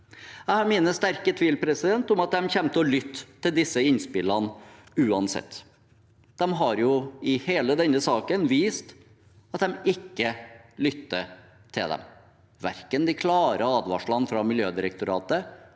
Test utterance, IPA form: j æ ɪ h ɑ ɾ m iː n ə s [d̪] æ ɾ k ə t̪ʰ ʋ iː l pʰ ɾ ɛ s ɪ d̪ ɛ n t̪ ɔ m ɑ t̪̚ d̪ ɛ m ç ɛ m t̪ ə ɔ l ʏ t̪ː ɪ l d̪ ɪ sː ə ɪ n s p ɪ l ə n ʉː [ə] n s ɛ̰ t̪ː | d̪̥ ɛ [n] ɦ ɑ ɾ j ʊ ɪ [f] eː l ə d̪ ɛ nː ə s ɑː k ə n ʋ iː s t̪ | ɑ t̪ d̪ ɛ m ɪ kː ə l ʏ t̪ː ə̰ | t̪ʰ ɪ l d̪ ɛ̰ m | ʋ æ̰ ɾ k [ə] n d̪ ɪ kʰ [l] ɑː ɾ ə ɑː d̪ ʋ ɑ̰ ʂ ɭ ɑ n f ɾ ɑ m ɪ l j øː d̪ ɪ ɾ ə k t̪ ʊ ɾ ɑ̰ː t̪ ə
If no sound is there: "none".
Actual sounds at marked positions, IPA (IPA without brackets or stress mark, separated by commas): t̪, ɑ, m, h, ə, l